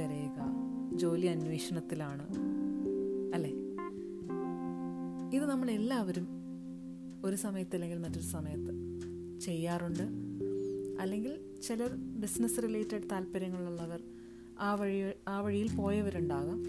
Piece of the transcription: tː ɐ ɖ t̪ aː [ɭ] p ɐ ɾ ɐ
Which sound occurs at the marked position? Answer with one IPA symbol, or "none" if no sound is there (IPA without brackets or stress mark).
l